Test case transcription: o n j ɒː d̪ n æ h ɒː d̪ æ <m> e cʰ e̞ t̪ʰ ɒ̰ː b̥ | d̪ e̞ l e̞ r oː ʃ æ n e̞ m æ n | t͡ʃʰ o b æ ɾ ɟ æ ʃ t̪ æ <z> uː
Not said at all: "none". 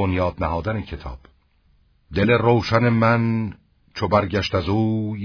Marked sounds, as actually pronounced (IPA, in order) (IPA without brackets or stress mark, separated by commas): n, z